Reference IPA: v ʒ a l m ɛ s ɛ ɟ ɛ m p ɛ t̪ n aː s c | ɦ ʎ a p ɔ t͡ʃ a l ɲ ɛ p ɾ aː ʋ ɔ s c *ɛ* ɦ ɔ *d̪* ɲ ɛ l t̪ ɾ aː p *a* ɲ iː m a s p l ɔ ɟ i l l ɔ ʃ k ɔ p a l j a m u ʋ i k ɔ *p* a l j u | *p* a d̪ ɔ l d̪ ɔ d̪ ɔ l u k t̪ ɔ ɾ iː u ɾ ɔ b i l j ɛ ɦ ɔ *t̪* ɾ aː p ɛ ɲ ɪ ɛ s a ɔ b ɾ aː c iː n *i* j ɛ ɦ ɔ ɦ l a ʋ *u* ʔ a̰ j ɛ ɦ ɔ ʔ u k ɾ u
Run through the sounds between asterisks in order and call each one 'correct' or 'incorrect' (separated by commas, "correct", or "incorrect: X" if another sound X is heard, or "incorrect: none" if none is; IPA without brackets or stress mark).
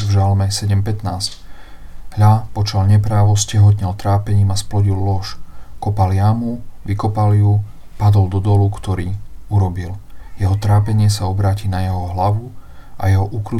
correct, incorrect: t̪, incorrect: ɛ, correct, correct, correct, incorrect: a, correct